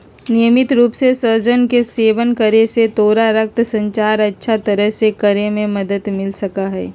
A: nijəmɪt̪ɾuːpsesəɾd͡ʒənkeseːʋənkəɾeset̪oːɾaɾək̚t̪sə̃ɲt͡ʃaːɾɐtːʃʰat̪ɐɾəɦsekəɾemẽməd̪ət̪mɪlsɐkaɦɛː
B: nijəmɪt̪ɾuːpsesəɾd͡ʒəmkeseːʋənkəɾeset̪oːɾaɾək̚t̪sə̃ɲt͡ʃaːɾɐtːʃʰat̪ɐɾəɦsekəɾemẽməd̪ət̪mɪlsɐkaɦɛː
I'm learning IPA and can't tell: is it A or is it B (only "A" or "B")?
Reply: A